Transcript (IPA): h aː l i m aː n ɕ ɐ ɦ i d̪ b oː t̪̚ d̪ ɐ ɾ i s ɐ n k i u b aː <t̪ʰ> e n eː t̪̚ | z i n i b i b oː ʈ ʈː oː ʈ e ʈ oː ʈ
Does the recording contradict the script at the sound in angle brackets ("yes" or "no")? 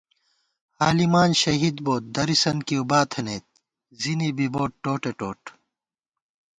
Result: no